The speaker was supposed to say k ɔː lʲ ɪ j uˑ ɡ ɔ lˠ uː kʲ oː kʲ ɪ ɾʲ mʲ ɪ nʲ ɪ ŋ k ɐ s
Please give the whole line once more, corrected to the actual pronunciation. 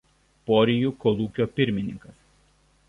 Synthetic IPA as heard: p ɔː ɾʲ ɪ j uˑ k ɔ lˠ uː kʲ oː pʲ ɪ ɾʲ mʲ ɪ nʲ ɪ ŋ k ɐ s

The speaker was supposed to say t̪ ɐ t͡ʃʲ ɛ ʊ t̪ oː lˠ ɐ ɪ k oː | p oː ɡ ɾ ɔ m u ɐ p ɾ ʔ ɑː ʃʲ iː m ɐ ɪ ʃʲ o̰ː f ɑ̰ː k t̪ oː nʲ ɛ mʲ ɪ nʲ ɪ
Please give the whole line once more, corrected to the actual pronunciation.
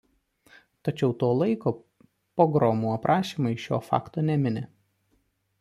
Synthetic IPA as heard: t̪ ɐ t͡ʃʲ ɛ ʊ t̪ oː lˠ ɐ ɪ k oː | p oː ɡ ɾ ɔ m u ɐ p ɾ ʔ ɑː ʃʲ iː m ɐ ɪ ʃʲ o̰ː f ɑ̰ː k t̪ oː nʲ ɛ mʲ ɪ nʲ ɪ

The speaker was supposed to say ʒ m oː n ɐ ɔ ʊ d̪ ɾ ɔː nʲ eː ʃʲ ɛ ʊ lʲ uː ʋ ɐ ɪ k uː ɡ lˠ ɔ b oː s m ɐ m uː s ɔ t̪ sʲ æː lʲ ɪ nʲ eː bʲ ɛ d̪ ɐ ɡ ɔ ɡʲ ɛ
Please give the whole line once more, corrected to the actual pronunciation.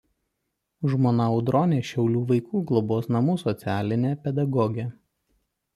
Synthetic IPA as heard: ʒ m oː n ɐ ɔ ʊ d̪ ɾ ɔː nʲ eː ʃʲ ɛ ʊ lʲ uː ʋ ɐ ɪ k uː ɡ lˠ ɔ b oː s n ɐ m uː s ɔ t̪ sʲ æː lʲ ɪ nʲ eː pʲ ɛ d̪ ɐ ɡ ɔ ɡʲ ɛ

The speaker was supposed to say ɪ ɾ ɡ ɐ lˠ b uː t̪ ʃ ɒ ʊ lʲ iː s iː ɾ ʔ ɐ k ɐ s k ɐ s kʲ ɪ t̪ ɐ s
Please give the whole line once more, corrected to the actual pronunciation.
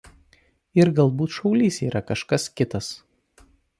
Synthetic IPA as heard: ɪ ɾ ɡ ɐ lˠ b uː t̪ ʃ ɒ ʊ lʲ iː s iː ɾ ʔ ɐ k ɐ ʃ k ɐ s kʲ ɪ t̪ ɐ s

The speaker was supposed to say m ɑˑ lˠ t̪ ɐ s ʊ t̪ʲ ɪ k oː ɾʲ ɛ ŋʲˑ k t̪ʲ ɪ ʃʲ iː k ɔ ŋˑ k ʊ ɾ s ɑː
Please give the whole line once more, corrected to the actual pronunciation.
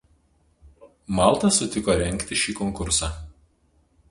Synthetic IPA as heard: m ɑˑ lˠ t̪ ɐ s ʊ t̪ʲ ɪ k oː ɾʲ ɛ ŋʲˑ k t̪ʲ ɪ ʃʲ iː k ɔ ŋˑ k ʊ ɾ s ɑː

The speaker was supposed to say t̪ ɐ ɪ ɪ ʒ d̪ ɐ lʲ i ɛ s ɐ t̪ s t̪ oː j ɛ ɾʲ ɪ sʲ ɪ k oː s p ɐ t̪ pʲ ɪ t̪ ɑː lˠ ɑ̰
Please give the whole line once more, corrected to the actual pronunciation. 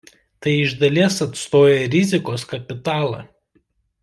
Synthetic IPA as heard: t̪ ɐ ɪ ɪ ʒ d̪ ɐ lʲ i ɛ s ɐ t̪ s t̪ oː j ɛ ɾʲ ɪ zʲ ɪ k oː s k ɐ pʲ ɪ t̪ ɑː lˠ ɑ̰

